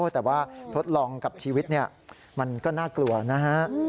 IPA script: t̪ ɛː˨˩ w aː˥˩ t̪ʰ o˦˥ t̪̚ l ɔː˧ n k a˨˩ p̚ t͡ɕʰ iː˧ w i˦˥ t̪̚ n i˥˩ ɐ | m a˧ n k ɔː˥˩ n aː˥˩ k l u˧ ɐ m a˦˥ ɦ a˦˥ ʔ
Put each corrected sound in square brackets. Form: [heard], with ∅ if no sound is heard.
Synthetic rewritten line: t̪ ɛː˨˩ w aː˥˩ t̪ʰ o˦˥ t̪̚ l ɔː˧ [ŋ] k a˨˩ p̚ t͡ɕʰ iː˧ w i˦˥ t̪̚ n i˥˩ ɐ | m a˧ n k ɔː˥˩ n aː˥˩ k l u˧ ɐ [n] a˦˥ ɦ a˦˥ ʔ